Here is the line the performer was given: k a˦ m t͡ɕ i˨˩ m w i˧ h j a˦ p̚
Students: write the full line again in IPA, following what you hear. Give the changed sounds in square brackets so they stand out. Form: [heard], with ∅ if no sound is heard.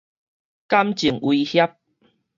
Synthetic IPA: k a˦ m t͡ɕ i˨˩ [ŋ] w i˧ h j a˦ p̚